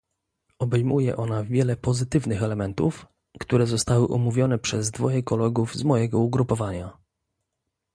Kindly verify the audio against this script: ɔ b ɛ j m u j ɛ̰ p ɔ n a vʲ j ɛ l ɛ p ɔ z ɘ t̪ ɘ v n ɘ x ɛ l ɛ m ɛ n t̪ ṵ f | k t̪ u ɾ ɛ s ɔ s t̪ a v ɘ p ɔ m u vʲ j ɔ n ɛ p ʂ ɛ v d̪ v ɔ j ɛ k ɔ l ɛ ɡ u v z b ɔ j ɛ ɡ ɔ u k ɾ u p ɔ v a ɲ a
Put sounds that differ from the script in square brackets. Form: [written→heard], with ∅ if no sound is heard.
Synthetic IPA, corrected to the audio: ɔ b ɛ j m u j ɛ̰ [p→ʔ] ɔ n a vʲ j ɛ l ɛ p ɔ z ɘ t̪ ɘ v n ɘ x ɛ l ɛ m ɛ n t̪ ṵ f | k t̪ u ɾ ɛ [s→z] ɔ s t̪ a [v→w] ɘ [p→ʔ] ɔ m u vʲ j ɔ n ɛ p ʂ ɛ [v→z] d̪ v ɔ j ɛ k ɔ l ɛ ɡ u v z [b→m] ɔ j ɛ ɡ ɔ u [k→ɡ] ɾ u p ɔ v a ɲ a